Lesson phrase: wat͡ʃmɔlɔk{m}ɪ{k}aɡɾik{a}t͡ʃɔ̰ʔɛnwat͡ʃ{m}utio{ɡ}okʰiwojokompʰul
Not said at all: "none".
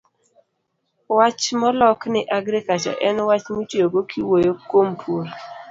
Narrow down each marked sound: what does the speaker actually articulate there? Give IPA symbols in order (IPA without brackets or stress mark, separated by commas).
n, ʔ, a, m, ɡ